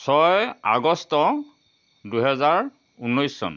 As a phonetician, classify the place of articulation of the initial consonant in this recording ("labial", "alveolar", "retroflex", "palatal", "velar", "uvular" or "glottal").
alveolar